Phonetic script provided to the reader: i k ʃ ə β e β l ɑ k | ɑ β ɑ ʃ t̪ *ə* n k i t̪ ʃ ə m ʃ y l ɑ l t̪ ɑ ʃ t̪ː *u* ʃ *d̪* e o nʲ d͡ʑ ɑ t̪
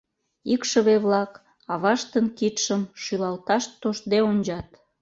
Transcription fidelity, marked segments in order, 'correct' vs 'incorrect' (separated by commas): correct, incorrect, correct